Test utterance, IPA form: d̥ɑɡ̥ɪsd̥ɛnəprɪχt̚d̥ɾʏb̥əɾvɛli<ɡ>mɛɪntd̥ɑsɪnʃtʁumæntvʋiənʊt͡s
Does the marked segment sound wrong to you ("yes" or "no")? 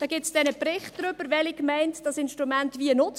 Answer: yes